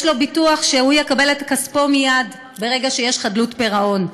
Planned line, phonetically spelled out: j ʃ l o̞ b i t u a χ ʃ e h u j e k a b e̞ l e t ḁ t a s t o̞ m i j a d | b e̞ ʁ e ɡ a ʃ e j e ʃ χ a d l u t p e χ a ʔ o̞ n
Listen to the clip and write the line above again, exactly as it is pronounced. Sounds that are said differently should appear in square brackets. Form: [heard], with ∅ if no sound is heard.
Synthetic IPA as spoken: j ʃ l o̞ b i t u a χ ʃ e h u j e k a b e̞ l e t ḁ [k] a s [p] o̞ m i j a d | b e̞ ʁ e ɡ a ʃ e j e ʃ χ a d l u t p e [ʁ] a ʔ o̞ n